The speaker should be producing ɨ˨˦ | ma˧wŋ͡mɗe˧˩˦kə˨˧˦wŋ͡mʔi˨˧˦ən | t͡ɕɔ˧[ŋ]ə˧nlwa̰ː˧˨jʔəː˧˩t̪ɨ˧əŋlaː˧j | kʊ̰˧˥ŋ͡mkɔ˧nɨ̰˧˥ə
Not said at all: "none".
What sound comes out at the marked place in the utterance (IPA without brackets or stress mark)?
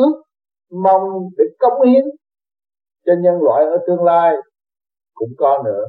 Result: ɲ